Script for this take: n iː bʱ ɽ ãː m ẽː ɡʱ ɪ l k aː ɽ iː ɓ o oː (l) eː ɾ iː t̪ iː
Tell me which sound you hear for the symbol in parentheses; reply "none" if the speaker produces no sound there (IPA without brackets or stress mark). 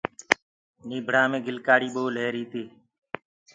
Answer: l